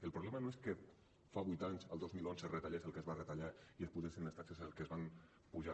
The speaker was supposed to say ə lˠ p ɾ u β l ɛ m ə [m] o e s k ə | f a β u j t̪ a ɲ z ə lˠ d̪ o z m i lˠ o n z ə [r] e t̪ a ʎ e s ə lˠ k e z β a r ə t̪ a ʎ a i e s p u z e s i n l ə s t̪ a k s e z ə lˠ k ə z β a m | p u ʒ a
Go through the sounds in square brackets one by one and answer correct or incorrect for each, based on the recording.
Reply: incorrect: n, correct

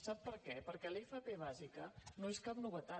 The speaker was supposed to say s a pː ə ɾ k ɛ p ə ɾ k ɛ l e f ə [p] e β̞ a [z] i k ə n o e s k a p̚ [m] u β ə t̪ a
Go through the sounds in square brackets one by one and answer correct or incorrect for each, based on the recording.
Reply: correct, correct, incorrect: n

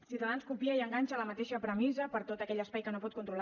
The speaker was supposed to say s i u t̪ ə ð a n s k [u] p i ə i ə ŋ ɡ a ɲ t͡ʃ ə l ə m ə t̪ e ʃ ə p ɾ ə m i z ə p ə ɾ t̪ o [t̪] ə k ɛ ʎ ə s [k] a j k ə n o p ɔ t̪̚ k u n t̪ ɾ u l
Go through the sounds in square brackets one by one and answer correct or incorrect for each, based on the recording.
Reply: correct, correct, incorrect: p

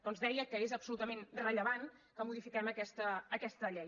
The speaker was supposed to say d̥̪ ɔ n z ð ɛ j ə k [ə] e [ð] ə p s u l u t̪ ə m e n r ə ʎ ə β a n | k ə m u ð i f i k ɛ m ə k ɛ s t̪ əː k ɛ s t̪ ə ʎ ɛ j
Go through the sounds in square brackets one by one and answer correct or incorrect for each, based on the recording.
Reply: correct, incorrect: z

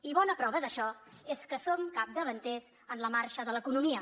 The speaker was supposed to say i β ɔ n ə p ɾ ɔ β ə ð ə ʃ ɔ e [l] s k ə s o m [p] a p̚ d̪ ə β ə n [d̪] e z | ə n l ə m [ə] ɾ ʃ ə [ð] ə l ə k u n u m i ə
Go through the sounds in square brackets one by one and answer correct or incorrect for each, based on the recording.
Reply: incorrect: none, incorrect: k, incorrect: t̪, incorrect: a, correct

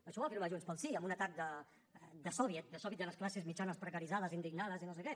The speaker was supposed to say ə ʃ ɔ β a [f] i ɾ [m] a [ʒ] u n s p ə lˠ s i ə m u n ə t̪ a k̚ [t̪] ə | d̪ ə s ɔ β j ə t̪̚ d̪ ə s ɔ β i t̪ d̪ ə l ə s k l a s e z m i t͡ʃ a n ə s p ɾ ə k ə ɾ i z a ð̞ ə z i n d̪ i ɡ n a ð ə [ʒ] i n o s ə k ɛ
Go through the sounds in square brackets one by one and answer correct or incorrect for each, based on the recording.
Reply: correct, correct, correct, incorrect: d̪, incorrect: z

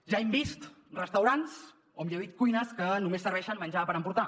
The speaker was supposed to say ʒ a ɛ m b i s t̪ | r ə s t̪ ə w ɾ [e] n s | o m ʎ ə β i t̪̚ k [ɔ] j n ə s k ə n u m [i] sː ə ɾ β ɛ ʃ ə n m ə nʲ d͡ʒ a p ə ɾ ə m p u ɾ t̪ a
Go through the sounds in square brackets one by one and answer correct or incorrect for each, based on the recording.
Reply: incorrect: a, incorrect: u, incorrect: e

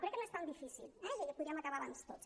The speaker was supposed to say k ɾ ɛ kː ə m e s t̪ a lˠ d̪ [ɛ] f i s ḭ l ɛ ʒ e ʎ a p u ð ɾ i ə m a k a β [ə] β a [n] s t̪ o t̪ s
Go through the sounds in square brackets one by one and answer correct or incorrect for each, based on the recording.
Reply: incorrect: i, incorrect: a, correct

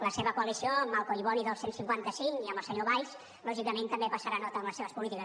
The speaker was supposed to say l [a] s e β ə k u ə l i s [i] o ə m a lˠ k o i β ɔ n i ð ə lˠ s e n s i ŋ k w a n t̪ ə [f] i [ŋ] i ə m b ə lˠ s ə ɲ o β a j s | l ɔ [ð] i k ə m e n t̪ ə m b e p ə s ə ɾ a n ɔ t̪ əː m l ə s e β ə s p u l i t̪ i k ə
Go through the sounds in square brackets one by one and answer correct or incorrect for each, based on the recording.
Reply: incorrect: ə, correct, incorrect: s, correct, incorrect: ʒ

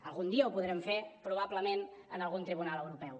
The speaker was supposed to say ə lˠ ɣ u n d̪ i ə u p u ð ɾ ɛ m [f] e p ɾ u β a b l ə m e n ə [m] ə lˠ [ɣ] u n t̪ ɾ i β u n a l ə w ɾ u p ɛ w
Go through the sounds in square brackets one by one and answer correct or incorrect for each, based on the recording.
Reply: correct, incorrect: n, correct

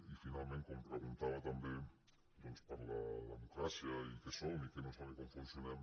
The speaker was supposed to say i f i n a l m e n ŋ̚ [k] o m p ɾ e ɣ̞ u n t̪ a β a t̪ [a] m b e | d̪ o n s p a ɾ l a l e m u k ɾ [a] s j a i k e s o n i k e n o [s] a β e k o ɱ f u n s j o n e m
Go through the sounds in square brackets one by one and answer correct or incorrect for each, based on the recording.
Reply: correct, correct, correct, correct

